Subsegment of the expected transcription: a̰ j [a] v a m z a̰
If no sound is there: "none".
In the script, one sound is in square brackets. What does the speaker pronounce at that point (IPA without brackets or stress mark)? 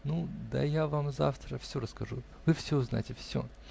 a